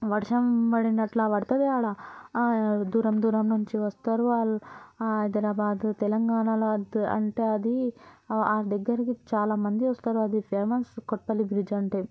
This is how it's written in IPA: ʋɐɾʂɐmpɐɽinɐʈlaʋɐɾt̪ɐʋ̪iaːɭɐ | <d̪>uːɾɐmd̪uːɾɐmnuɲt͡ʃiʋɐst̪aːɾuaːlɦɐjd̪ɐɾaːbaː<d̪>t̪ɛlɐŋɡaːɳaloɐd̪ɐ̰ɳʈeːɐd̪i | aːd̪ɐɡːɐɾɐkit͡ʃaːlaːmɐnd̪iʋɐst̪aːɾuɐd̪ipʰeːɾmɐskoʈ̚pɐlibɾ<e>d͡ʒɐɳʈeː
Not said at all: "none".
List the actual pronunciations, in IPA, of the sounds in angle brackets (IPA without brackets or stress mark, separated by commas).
d̪, d̪, i